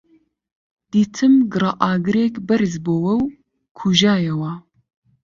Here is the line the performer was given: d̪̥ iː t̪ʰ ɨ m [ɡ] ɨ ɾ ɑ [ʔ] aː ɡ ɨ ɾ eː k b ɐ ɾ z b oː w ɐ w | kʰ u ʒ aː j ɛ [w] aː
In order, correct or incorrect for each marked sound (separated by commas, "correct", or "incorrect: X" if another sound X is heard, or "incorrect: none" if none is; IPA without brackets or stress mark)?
correct, correct, correct